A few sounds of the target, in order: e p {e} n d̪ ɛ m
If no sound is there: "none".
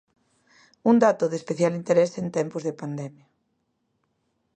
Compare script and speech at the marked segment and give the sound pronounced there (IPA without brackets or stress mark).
a